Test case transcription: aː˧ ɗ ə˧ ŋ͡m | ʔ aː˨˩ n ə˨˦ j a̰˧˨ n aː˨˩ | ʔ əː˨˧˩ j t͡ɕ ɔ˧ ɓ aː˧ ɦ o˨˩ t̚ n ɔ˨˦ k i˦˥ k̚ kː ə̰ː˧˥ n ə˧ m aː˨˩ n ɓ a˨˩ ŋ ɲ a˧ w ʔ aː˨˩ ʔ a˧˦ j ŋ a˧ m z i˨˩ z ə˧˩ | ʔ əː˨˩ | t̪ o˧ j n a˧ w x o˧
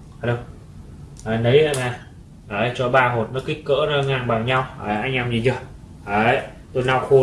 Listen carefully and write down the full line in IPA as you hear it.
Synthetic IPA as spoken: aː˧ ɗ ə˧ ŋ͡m | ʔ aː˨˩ n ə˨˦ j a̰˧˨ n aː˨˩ | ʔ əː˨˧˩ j t͡ɕ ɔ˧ ɓ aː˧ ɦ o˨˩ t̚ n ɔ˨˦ k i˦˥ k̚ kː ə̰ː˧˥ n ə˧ ŋ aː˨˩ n ɓ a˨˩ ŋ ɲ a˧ w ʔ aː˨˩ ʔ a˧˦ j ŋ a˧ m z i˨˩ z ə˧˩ | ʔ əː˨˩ | t̪ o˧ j n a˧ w x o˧

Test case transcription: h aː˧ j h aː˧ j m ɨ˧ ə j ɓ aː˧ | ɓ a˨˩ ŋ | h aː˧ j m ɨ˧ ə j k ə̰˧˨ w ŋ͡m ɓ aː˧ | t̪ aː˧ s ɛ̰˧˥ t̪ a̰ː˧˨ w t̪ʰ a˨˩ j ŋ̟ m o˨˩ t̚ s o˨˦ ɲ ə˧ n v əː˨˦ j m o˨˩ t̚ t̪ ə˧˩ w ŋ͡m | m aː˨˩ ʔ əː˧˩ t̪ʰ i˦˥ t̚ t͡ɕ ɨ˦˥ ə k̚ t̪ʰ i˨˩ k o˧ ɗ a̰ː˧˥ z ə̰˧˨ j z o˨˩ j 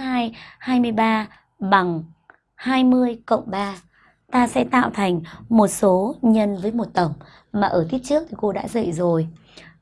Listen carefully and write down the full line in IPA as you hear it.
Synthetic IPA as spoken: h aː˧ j h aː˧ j m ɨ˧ ə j ɓ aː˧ | ɓ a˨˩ ŋ | h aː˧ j m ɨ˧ ə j k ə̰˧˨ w ŋ͡m ɓ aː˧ | t̪ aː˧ s ɛ̰˧˥ t̪ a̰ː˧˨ w t̪ʰ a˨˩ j ŋ̟ m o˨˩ t̚ s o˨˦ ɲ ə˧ n v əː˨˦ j m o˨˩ t̚ t̪ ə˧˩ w ŋ͡m | m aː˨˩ ʔ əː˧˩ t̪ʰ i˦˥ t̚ t͡ɕ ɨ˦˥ ə k̚ t̪ʰ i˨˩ k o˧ ɗ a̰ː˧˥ z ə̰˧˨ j z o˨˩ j

